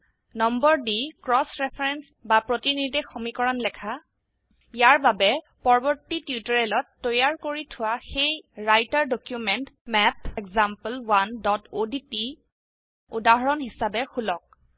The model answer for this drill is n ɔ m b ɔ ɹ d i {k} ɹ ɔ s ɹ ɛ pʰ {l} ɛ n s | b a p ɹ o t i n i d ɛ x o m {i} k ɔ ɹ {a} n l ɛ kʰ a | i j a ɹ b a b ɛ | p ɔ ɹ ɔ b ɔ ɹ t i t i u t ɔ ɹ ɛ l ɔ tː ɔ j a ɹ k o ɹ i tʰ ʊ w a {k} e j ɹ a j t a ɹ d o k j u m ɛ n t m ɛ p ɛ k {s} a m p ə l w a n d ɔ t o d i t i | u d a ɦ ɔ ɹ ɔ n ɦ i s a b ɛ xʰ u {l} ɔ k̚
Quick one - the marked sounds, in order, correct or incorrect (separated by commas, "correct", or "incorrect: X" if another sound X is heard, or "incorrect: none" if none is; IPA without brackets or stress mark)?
correct, incorrect: ɹ, correct, correct, incorrect: x, incorrect: z, correct